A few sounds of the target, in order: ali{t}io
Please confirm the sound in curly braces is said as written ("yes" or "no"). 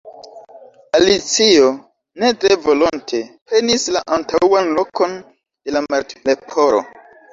no